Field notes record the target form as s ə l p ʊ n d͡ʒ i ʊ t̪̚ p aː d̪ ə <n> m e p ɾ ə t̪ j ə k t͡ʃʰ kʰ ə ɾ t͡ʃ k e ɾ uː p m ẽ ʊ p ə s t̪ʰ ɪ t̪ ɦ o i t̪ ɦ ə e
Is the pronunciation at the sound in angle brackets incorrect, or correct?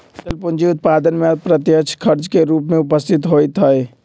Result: correct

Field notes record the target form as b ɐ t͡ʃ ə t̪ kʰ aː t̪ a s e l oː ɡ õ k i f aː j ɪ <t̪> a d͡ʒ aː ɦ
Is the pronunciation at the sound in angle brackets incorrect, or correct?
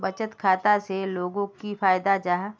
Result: incorrect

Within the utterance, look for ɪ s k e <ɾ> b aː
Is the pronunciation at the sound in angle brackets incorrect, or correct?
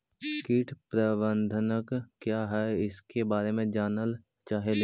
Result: incorrect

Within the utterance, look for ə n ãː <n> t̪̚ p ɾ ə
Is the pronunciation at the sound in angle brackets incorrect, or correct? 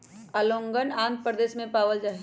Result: correct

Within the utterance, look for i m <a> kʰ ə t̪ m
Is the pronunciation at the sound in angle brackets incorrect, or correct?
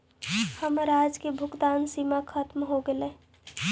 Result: correct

